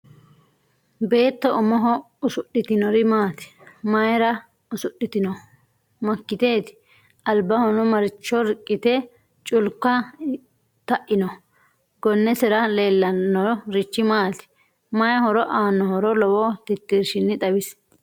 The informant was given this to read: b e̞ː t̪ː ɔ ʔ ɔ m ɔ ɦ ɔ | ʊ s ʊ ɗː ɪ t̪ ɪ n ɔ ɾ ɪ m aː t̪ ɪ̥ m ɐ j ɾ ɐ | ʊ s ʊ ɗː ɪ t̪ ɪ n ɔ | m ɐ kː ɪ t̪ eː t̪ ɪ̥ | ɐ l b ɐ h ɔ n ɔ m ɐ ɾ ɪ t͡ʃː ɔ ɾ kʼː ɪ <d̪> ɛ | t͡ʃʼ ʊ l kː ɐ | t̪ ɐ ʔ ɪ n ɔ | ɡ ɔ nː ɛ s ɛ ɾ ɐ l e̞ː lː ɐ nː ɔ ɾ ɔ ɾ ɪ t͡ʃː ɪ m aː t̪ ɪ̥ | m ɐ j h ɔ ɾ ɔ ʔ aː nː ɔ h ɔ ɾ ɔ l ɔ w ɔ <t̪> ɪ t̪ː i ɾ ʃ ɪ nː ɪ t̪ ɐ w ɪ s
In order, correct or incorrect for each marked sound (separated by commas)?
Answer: incorrect, correct